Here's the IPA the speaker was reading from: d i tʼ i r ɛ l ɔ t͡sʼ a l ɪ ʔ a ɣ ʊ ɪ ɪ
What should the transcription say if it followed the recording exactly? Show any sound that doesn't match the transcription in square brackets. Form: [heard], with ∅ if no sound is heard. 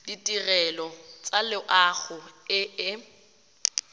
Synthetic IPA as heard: d i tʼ i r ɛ l ɔ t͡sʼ a l ɪ ʔ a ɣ ʊ ɪ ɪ